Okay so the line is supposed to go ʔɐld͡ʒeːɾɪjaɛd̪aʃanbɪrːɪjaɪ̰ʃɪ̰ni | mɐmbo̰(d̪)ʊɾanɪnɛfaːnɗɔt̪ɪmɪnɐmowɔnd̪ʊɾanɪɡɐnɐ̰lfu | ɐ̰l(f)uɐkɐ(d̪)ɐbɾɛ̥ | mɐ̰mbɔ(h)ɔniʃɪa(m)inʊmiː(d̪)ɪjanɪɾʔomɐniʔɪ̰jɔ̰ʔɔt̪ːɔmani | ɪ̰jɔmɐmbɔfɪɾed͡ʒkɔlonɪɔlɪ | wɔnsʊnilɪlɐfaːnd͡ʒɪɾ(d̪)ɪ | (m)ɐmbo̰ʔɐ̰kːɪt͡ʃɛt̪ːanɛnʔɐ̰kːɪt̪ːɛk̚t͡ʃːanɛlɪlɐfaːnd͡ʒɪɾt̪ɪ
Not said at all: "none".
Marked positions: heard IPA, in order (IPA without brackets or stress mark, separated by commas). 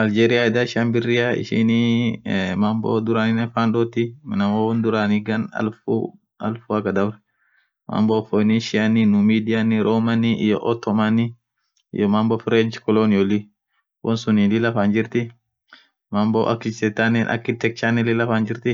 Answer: d̪, f, d̪, f, n, d̪, t̪, m